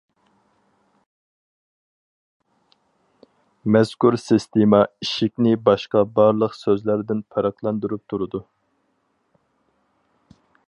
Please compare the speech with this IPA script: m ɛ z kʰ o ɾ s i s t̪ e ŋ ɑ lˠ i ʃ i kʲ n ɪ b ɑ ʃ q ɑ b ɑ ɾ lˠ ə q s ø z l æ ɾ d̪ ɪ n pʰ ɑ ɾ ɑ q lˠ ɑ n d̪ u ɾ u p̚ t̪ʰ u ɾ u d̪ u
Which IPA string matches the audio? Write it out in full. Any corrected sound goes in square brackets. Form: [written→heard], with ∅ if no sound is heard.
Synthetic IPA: m ɛ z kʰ [o→u] ɾ s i s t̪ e [ŋ→m] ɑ [lˠ→∅] i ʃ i kʲ n ɪ b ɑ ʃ q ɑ b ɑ ɾ lˠ ə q s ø z l æ ɾ d̪ ɪ n pʰ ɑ ɾ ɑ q lˠ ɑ n d̪ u ɾ u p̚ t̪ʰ u ɾ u d̪ u

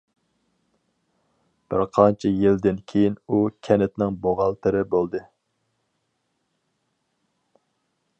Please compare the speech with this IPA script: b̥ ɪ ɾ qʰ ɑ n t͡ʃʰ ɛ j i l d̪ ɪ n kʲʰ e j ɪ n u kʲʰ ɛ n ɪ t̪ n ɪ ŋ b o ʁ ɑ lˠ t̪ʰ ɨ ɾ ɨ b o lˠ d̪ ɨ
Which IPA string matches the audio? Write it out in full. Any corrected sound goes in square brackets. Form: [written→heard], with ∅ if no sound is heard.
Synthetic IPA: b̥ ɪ ɾ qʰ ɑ n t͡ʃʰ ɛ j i l d̪ ɪ n kʲʰ e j [ɪ→i] n u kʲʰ ɛ n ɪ t̪ n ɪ ŋ b o ʁ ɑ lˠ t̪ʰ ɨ ɾ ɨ b o lˠ d̪ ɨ

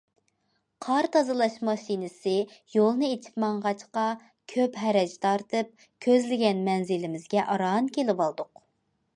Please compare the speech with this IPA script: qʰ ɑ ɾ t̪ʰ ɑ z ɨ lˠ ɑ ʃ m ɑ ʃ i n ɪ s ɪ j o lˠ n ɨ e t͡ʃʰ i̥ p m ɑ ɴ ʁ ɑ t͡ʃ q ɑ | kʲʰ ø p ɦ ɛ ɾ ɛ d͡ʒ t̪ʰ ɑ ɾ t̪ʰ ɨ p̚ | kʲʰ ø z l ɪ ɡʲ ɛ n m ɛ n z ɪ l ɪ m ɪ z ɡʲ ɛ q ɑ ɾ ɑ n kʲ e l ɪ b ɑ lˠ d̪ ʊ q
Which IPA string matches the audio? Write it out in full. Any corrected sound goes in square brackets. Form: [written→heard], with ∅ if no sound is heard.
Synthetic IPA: qʰ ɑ ɾ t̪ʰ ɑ z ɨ lˠ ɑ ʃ m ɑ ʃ i n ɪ s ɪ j o lˠ n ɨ e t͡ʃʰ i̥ p m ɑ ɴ ʁ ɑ t͡ʃ q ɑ | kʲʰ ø p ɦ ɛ ɾ ɛ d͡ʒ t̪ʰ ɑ ɾ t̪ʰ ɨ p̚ | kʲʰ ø z l ɪ ɡʲ ɛ n m ɛ n z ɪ l ɪ m ɪ z ɡʲ ɛ [q→ʔ] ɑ ɾ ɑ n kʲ e l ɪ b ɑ lˠ d̪ ʊ q

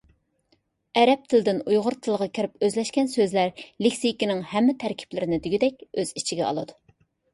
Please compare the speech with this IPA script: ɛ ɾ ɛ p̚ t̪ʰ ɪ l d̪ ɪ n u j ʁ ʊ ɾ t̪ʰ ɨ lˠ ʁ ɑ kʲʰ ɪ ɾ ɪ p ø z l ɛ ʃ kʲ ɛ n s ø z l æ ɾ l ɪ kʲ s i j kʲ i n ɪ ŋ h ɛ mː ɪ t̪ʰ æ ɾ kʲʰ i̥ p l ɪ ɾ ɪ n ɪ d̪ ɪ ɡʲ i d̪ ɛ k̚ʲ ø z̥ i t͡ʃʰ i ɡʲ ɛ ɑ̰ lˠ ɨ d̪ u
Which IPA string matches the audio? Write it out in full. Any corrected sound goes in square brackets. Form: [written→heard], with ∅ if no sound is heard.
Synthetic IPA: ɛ ɾ ɛ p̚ t̪ʰ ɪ l d̪ ɪ n u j ʁ ʊ ɾ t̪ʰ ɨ lˠ ʁ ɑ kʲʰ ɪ ɾ ɪ p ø z l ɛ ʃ kʲ ɛ n s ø z l æ ɾ l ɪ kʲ s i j kʲ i n ɪ ŋ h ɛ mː ɪ t̪ʰ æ ɾ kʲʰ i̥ p l ɪ ɾ ɪ n ɪ d̪ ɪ ɡʲ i d̪ ɛ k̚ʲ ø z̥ i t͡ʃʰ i ɡʲ ɛ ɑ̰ lˠ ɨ d̪ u

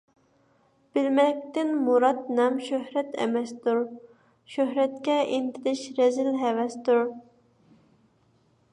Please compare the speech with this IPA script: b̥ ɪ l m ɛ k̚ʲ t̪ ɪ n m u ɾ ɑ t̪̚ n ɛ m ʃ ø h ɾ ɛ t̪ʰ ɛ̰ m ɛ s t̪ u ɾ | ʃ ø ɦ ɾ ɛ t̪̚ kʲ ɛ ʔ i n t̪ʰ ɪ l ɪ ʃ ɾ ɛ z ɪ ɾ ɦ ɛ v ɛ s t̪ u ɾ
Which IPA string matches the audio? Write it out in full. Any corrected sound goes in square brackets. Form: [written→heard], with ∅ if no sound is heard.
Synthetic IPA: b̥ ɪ l m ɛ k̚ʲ t̪ ɪ n m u ɾ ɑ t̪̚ n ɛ m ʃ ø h ɾ ɛ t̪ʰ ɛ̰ m ɛ s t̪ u ɾ | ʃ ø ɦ ɾ ɛ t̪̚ kʲ ɛ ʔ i n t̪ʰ ɪ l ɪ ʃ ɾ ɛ z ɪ [ɾ→l] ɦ ɛ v ɛ s t̪ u ɾ

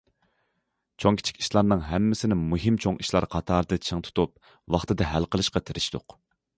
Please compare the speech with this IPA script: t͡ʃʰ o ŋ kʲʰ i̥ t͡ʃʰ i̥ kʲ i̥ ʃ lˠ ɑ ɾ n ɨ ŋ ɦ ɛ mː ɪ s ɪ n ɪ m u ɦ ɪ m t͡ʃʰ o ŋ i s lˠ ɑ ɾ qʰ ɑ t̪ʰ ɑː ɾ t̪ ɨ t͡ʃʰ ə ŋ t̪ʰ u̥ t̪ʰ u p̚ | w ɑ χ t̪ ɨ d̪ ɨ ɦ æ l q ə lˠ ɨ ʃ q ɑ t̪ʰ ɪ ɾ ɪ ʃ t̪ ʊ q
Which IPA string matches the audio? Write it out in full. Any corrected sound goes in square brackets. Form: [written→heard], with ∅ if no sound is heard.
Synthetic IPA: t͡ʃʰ o ŋ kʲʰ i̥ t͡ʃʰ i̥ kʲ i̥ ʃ lˠ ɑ ɾ n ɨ ŋ ɦ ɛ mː ɪ s ɪ n ɪ m u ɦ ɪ m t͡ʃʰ o ŋ i [s→ʃ] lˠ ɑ ɾ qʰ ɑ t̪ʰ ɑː ɾ [t̪→d̪] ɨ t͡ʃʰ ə ŋ t̪ʰ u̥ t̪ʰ u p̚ | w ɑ χ t̪ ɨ d̪ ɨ ɦ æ l q ə lˠ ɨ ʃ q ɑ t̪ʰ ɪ ɾ ɪ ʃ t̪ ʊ q

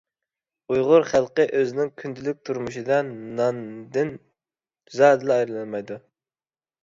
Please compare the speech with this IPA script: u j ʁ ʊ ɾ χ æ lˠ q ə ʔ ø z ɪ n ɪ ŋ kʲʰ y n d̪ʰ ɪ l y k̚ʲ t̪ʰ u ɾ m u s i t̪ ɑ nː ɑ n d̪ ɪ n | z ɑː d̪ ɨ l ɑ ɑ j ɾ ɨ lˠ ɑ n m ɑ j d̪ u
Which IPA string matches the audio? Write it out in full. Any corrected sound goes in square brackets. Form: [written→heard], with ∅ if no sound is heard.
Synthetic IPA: u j ʁ ʊ ɾ χ æ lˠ q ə ʔ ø z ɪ n ɪ ŋ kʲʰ y n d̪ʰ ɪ l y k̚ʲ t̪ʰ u ɾ m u [s→ʃ] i [t̪→d̪] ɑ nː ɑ n d̪ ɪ n | z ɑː d̪ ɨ l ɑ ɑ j ɾ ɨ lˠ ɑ n m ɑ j d̪ u

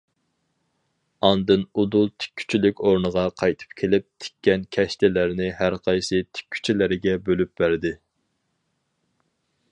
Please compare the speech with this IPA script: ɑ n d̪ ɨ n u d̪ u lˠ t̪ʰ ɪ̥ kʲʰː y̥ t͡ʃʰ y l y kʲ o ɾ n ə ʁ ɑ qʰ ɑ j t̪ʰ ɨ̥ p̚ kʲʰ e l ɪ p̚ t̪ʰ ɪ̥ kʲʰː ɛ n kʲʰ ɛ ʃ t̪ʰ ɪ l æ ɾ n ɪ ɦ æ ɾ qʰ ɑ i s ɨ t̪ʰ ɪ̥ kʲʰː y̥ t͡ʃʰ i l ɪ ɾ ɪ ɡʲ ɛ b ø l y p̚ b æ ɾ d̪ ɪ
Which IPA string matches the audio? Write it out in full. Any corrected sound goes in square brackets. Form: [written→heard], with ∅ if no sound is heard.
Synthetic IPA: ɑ n d̪ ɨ n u d̪ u lˠ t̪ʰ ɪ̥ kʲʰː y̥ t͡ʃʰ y l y kʲ o ɾ n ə ʁ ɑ qʰ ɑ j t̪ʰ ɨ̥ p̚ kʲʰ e l ɪ p̚ t̪ʰ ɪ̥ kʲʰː ɛ n kʲʰ ɛ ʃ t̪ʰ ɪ l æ ɾ n ɪ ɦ æ ɾ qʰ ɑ [i→j] s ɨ t̪ʰ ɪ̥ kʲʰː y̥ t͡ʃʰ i l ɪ ɾ ɪ ɡʲ ɛ b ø l y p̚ b æ ɾ d̪ ɪ

